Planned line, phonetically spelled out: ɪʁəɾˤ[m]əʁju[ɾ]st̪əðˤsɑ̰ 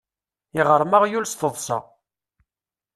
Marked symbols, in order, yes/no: yes, no

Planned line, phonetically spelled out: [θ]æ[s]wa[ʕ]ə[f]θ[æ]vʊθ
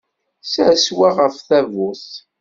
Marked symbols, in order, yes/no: no, yes, no, yes, yes

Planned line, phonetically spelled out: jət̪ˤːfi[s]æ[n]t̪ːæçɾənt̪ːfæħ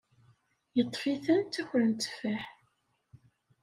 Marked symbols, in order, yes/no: no, yes

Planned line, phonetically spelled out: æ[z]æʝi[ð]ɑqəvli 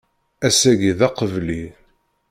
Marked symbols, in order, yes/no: no, yes

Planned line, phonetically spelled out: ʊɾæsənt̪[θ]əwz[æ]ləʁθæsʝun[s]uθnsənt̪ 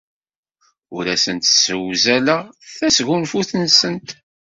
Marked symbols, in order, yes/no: no, yes, no

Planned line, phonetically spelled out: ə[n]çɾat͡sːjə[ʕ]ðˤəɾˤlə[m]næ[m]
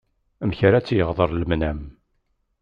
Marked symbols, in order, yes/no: no, no, yes, yes

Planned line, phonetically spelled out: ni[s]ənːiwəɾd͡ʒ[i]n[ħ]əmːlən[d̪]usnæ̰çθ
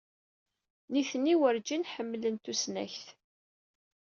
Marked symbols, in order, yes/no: no, yes, yes, no

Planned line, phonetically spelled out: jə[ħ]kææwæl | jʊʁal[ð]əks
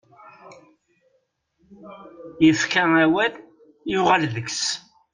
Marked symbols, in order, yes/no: no, yes

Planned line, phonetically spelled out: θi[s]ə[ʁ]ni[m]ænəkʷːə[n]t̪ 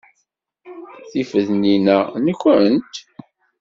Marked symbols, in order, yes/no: no, no, no, yes

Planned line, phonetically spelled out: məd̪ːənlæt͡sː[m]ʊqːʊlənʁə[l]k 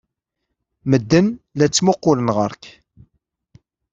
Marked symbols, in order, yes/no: yes, no

